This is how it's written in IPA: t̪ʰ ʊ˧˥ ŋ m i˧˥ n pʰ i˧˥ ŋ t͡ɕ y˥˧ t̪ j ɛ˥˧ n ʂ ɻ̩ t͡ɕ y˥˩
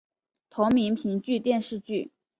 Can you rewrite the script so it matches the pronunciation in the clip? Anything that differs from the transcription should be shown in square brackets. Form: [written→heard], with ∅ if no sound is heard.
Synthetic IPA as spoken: t̪ʰ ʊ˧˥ ŋ m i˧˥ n pʰ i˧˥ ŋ t͡ɕ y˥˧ t̪ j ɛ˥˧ n ʂ ɻ̩ t͡ɕ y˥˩